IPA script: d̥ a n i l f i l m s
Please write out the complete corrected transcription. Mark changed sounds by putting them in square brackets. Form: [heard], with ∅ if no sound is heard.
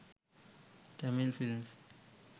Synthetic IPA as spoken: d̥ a [m] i l f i l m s